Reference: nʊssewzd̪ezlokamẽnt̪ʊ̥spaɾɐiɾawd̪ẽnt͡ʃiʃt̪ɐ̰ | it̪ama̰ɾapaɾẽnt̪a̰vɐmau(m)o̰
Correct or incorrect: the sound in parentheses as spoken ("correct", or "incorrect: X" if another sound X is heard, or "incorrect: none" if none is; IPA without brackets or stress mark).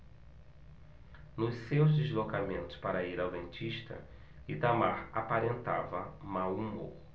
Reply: correct